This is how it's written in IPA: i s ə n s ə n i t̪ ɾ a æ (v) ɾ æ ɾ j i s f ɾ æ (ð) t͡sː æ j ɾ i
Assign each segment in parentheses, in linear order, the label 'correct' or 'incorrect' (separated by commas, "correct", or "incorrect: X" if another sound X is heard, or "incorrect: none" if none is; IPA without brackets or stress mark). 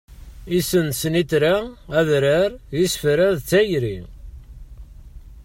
incorrect: ð, correct